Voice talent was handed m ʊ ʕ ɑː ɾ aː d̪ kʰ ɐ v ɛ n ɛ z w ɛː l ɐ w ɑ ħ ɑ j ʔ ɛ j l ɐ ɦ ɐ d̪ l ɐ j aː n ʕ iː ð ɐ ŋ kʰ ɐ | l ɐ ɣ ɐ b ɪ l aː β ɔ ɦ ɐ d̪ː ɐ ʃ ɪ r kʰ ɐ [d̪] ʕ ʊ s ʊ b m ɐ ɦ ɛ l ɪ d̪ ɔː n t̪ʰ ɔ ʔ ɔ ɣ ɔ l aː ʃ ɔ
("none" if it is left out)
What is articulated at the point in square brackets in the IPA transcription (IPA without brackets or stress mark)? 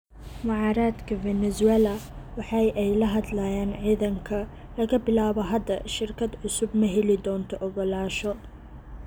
d̪